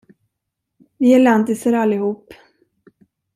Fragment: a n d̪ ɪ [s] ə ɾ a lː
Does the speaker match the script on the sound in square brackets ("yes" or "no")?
yes